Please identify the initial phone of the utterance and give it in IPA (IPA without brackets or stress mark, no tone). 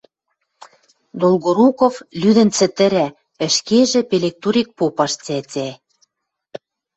d̪